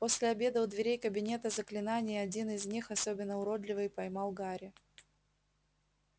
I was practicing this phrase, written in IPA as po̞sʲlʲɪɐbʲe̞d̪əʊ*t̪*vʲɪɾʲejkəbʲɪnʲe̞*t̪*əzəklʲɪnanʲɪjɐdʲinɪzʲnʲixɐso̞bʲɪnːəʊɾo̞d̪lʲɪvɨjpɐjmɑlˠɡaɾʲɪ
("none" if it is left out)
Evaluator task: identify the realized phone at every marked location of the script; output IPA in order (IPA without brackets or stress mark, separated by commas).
d̪, t̪